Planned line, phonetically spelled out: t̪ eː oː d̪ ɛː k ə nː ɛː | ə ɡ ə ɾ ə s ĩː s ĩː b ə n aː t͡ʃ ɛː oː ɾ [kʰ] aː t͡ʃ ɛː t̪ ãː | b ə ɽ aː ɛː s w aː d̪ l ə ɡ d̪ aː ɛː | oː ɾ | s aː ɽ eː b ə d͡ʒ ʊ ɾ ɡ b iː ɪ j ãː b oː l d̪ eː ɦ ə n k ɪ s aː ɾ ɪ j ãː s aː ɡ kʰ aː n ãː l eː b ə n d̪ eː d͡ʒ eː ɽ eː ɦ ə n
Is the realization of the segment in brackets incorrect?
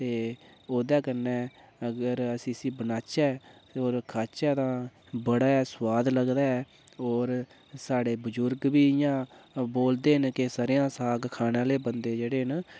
no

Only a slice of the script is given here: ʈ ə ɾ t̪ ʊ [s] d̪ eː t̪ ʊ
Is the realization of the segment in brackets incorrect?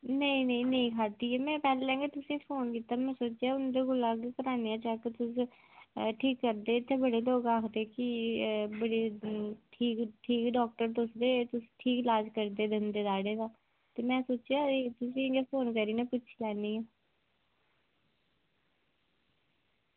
no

